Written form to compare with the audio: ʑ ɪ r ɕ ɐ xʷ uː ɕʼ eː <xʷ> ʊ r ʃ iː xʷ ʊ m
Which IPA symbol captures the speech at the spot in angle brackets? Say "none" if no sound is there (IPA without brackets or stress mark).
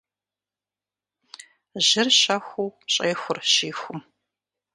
xʷ